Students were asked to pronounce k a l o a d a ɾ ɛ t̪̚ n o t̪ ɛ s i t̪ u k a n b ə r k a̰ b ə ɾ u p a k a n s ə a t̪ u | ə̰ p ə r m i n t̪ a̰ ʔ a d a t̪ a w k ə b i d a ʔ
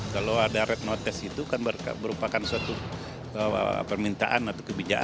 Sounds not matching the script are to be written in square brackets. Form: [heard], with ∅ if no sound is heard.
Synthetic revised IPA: k a l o a d a ɾ ɛ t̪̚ n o t̪ ɛ s i t̪ u k a n b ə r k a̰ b ə ɾ u p a k a n s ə a t̪ u | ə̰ p ə r m i n t̪ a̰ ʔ a [n] a t̪ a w k ə b i [d͡ʒ] a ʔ

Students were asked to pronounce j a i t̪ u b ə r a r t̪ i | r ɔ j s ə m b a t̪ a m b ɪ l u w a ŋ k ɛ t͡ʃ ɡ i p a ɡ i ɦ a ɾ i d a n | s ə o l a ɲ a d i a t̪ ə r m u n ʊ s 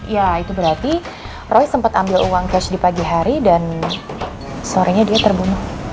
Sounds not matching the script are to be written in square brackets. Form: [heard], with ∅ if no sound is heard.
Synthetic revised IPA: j a i t̪ u b ə [ɾ] a r t̪ i | r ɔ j s ə m [p] a t̪ a m b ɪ l u w a ŋ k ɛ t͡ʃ [d] i p a ɡ i ɦ a ɾ i d a n | s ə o [ɾ] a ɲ a d i a t̪ ə r [b] u n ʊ [h]

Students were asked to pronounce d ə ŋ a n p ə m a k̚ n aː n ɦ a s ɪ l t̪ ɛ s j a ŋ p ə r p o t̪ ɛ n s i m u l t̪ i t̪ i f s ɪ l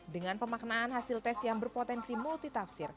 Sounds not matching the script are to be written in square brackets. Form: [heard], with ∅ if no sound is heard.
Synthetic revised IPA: d ə ŋ a n p ə m a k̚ n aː n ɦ a s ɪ l t̪ ɛ s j a ŋ [b] ə r p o t̪ ɛ n s i m u l t̪ i t̪ [a] f s ɪ [r]

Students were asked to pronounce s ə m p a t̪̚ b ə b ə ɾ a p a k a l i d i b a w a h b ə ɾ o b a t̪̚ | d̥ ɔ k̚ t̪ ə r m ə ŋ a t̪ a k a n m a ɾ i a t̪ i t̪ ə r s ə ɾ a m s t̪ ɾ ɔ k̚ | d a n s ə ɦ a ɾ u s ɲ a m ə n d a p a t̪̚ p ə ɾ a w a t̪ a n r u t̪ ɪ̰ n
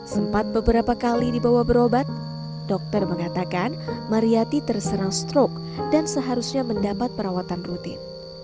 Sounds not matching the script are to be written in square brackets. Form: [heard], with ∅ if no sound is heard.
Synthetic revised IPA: s ə m p a t̪̚ b ə b ə ɾ a p a k a l i d i b a w a h b ə ɾ o b a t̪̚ | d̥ ɔ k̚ t̪ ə r m ə ŋ a t̪ a k a n m a ɾ i a t̪ i t̪ ə r s ə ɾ a [ŋ] s t̪ ɾ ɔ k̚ | d a n s ə ɦ a ɾ u s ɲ a m ə n d a p a t̪̚ p ə ɾ a w a t̪ a n r u t̪ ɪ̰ n

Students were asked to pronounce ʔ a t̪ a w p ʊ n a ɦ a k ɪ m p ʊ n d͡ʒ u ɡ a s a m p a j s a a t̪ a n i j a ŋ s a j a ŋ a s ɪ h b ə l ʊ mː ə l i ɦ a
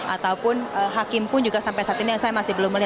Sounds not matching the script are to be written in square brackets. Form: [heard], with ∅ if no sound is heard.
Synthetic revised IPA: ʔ a t̪ a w p ʊ n [ə] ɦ a k ɪ m p ʊ n d͡ʒ u ɡ a s a m p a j s a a t̪ [i] n i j a ŋ s a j a [m] a s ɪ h b ə l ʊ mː ə l i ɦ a

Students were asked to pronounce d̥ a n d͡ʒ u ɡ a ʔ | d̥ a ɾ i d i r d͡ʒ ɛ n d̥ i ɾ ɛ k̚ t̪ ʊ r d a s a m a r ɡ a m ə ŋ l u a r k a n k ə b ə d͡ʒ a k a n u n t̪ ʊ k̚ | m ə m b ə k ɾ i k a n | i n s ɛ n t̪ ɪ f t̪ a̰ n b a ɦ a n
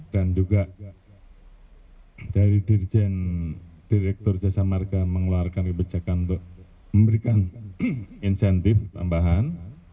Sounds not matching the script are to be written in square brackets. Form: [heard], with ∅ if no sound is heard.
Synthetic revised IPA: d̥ a n d͡ʒ u ɡ a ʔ | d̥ a ɾ i d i r d͡ʒ ɛ n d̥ i ɾ ɛ k̚ t̪ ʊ r [d͡ʒ] a s a m a r ɡ a m ə ŋ l u a r k a n k ə b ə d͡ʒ a k a n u n t̪ ʊ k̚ | m ə m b ə [∅] ɾ i k a n | i n s ɛ n t̪ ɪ f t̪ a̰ [m] b a ɦ a n

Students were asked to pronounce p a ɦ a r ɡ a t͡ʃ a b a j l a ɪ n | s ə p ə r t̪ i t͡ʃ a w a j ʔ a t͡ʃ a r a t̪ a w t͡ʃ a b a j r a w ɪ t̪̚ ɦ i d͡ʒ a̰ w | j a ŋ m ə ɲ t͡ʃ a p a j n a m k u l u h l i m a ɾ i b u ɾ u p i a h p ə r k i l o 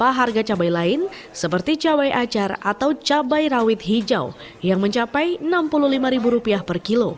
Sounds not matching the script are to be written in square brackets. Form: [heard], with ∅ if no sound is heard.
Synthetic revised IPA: p a ɦ a r ɡ a t͡ʃ a b a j l a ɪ n | s ə p ə r t̪ i t͡ʃ a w a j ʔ a t͡ʃ a r a t̪ a w t͡ʃ a b a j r a w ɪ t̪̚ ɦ i d͡ʒ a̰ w | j a ŋ m ə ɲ t͡ʃ a p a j n a m [p] u l u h l i m a ɾ i b u ɾ u p i a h p ə r k i l o

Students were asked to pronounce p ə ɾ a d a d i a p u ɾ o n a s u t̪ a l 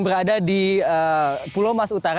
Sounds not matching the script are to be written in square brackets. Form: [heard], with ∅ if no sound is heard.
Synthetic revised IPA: [b] ə ɾ a d a d i [ə] p u [l] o [m] a s u t̪ a [ɾ]

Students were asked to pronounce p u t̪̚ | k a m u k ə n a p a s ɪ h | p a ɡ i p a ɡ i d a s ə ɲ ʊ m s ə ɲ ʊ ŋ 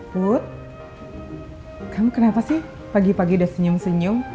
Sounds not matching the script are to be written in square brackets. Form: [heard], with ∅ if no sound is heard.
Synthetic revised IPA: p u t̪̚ | k a m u k ə n a p a s ɪ h | p a ɡ i p a ɡ i d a s ə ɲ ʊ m s ə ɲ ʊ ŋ

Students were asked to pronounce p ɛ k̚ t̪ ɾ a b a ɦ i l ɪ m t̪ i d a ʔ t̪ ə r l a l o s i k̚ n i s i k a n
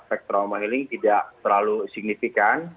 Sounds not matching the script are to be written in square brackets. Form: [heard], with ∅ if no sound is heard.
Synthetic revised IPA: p ɛ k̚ t̪ ɾ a [m] a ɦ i l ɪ [ŋ] t̪ i d a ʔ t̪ ə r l a l [u] s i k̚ n i [f] i k a n

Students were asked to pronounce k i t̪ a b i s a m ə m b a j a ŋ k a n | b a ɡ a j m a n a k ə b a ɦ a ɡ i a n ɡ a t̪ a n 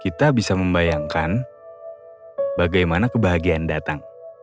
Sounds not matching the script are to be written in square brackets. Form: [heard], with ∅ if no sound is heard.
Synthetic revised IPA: k i t̪ a b i s a m ə m b a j a ŋ k a n | b a ɡ a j m a n a k ə b a ɦ a ɡ i a n [d] a t̪ a [ŋ]

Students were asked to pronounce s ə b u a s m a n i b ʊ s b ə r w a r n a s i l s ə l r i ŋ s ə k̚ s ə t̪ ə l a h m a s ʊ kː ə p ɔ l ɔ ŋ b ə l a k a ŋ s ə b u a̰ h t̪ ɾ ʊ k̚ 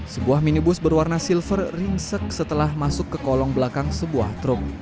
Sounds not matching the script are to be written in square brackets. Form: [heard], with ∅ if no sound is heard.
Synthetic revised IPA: s ə b u a [h] m [i] n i b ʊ s b ə r w a r n a s i l [f] ə [r] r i ŋ s ə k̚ s ə t̪ ə l a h m a s ʊ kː ə [k] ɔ l ɔ ŋ b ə l a k a ŋ s ə b u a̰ h t̪ ɾ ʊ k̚

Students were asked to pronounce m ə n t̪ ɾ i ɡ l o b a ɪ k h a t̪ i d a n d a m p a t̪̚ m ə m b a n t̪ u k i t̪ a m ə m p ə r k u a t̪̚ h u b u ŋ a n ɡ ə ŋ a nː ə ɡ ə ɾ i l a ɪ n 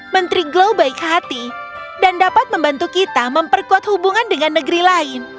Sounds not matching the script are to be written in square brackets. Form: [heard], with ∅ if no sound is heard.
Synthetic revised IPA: m ə n t̪ ɾ i ɡ l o b a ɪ k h a t̪ i d a n d a [∅] p a t̪̚ m ə m b a n t̪ u k i t̪ a m ə m p ə r k u a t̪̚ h u b u ŋ a n [d] ə ŋ a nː ə ɡ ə ɾ i l a ɪ n

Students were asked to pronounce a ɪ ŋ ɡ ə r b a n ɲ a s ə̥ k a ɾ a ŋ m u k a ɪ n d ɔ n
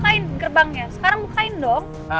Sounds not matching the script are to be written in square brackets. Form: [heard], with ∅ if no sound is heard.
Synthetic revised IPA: a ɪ [n] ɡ ə r b a [ŋ] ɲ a s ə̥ k a ɾ a ŋ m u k a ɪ n d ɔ [ŋ]

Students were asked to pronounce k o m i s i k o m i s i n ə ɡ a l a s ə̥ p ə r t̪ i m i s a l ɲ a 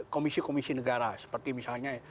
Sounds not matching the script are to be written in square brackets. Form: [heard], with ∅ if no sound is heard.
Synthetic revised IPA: k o m i s i k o m i s i n ə ɡ a [ɾ] a s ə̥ p ə r t̪ i m i s a l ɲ a

